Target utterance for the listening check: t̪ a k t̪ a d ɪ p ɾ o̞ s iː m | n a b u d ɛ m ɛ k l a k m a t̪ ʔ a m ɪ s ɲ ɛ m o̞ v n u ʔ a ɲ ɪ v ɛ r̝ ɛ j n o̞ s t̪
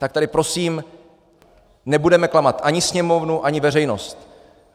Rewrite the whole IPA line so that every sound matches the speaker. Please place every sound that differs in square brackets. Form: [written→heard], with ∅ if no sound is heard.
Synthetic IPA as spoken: t̪ a k t̪ a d ɪ p ɾ o̞ s iː m | n [a→ɛ] b u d ɛ m ɛ k l a [k→∅] m a t̪ ʔ a [m→ɲ] ɪ s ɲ ɛ m o̞ v n u ʔ a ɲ ɪ v ɛ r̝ ɛ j n o̞ s t̪